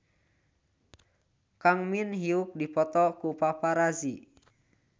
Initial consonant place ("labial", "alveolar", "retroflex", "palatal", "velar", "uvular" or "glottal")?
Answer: velar